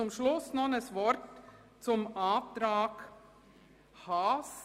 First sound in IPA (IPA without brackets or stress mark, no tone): ʊ